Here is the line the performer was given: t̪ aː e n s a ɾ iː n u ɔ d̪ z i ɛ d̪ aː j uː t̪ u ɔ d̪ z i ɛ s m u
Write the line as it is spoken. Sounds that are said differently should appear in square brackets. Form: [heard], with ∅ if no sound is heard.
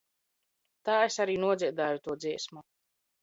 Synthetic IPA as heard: t̪ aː e [∅] s a ɾ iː n u ɔ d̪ z i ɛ d̪ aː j [u] t̪ u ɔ d̪ z i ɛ s m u